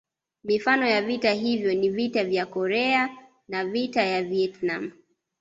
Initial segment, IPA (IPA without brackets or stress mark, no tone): m